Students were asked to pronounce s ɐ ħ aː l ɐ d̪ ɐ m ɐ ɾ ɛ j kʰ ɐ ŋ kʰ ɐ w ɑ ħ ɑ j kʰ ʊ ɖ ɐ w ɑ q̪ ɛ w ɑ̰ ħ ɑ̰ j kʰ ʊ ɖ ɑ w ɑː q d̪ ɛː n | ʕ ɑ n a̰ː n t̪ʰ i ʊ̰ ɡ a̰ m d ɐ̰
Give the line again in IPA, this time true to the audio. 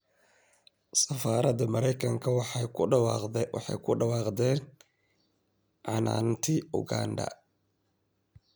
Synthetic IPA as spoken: s ɐ f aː ɾ ɐ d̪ ɐ m ɐ ɾ ɛ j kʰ ɐ ŋ kʰ ɐ w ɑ ħ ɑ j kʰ ʊ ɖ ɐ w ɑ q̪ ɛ w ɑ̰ ħ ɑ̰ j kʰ ʊ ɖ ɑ w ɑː q d̪ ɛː n | ʕ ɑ n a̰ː n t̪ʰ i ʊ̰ ɡ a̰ n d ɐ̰